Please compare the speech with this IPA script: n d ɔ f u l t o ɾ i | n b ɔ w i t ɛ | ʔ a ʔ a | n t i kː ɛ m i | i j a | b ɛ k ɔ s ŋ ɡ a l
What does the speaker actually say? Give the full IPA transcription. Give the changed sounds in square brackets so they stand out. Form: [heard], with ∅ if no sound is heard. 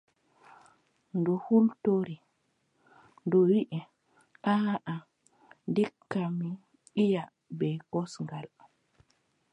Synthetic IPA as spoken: n d ɔ [h] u l t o ɾ i | n [d] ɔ w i [ʔ] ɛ | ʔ a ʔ a | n [d] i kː [a] m i | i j a | b ɛ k ɔ s ŋ ɡ a l